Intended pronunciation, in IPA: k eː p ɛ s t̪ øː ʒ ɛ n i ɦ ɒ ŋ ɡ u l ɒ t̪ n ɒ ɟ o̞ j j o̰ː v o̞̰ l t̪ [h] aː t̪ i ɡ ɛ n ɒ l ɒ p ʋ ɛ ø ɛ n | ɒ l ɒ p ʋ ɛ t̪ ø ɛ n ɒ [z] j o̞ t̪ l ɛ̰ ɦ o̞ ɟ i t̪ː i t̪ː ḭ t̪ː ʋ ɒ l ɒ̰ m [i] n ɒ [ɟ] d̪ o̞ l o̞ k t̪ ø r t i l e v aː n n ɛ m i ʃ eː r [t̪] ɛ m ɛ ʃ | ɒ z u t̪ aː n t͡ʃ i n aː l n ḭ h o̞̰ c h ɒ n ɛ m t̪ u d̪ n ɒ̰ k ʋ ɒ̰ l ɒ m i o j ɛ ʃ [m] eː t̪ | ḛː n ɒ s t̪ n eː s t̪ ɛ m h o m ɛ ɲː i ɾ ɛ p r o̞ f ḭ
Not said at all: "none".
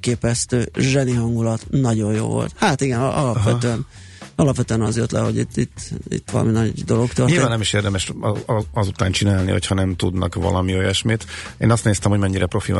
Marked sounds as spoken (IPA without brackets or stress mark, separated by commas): h, z, i, ɟ, d̪, m